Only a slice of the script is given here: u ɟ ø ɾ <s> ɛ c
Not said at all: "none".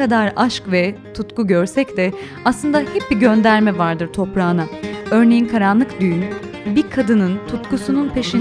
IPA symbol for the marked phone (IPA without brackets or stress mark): s